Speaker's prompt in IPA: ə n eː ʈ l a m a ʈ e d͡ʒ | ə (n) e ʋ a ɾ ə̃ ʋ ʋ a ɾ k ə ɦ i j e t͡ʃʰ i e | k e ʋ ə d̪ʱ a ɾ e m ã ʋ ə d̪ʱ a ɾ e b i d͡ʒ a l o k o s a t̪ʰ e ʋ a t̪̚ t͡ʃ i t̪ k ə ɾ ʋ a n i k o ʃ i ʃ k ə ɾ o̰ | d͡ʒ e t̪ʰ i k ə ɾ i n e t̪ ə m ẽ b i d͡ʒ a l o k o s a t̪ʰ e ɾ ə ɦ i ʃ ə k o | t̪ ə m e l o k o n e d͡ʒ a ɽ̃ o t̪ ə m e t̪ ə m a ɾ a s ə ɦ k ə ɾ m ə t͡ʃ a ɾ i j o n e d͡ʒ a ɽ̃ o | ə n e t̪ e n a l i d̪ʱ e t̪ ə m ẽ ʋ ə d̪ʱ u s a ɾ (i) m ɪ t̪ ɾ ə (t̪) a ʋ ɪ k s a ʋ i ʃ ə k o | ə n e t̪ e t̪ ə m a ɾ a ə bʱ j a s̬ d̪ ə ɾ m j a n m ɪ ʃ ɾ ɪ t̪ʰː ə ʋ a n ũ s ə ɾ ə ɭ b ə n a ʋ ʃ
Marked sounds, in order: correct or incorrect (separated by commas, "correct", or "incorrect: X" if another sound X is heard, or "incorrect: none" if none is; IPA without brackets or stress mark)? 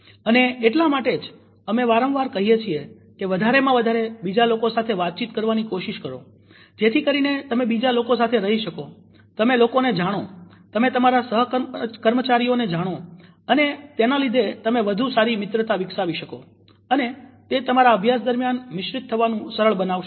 incorrect: m, correct, correct